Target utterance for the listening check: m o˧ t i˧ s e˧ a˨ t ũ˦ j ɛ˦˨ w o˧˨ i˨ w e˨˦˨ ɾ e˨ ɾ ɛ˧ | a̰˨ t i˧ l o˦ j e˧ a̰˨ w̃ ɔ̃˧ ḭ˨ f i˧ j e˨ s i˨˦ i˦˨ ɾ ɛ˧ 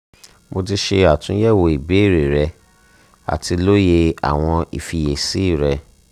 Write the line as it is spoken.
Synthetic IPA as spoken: m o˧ t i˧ ʃ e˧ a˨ t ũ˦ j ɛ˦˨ w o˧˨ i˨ b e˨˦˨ ɾ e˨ ɾ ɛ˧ | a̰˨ t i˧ l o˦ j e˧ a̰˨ w̃ ɔ̃˧ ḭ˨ f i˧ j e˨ s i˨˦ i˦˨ ɾ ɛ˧